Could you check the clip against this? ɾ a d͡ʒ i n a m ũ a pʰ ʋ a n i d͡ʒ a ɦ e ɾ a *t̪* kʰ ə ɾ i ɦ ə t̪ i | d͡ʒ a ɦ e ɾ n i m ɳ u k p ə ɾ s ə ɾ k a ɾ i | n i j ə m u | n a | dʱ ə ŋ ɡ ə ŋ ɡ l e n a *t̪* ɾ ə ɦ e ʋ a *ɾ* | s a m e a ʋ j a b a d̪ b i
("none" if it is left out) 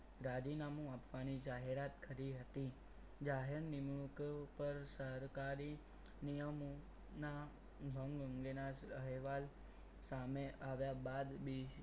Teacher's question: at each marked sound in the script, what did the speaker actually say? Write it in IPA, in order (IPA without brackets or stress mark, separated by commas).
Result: t̪, none, l